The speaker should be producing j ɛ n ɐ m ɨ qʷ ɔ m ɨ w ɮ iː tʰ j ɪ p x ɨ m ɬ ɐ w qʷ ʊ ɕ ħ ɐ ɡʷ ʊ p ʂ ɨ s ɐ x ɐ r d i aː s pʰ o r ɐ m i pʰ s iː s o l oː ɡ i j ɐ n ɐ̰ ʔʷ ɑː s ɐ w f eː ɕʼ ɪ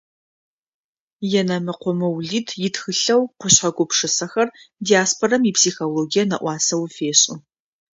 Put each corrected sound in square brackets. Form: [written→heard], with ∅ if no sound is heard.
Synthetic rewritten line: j ɛ n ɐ m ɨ qʷ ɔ m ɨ w ɮ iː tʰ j ɪ [p→t] x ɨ [m→∅] ɬ ɐ w qʷ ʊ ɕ ħ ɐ ɡʷ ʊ p ʂ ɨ s ɐ x ɐ r d i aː s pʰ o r ɐ m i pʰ s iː [s→x] o l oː ɡ i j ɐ n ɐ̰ ʔʷ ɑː s ɐ w f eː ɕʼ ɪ